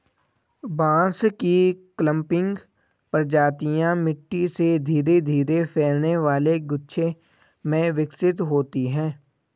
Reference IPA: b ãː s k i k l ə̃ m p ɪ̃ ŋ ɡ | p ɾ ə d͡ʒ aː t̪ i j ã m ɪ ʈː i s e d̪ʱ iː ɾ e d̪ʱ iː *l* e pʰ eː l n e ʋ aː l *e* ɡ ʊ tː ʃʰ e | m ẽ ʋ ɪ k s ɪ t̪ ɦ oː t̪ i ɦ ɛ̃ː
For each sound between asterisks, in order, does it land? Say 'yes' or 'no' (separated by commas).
no, yes